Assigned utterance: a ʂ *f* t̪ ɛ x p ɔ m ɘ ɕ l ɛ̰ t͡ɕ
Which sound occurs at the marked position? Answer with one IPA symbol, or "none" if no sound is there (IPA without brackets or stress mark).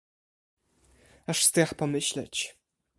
s